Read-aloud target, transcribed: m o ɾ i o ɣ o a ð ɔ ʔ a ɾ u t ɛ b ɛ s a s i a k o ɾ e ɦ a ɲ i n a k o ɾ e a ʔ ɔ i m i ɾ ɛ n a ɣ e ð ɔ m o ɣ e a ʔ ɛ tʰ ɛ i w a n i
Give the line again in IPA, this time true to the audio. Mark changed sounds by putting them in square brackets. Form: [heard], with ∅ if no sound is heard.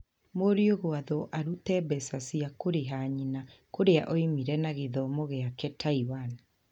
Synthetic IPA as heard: m o ɾ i o ɣ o a ð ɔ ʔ a ɾ u t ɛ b ɛ s a s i a k o ɾ e ɦ a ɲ i n a k o ɾ e a ʔ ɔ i m i ɾ ɛ n a ɣ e ð ɔ m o ɣ e a [k] ɛ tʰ [a] i w a n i